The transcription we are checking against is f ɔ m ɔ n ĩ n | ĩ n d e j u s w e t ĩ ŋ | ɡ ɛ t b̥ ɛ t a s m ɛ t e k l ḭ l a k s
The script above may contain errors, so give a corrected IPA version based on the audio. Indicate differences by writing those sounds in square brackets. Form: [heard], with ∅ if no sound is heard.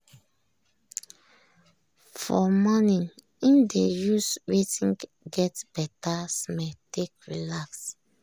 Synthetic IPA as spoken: f ɔ m ɔ n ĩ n | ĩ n d e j u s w e t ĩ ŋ | ɡ ɛ t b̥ ɛ t a s m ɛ t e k [ɹ] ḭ l a k s